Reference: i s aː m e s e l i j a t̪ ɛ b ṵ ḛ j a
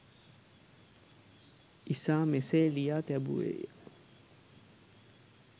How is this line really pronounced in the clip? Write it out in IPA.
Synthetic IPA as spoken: i s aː m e s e l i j a t̪ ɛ b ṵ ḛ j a